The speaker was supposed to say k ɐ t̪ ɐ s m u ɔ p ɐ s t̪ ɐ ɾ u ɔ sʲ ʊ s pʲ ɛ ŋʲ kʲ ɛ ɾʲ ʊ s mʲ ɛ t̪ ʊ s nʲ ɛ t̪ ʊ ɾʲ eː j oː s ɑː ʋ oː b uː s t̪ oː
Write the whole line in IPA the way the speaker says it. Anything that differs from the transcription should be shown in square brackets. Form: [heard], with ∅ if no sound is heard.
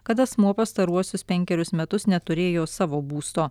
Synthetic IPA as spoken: k ɐ t̪ ɐ s m u ɔ p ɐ s t̪ ɐ ɾ u ɔ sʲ ʊ s pʲ ɛ ŋʲ kʲ ɛ ɾʲ ʊ s mʲ ɛ t̪ ʊ s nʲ ɛ t̪ ʊ ɾʲ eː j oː s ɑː ʋ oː b uː s t̪ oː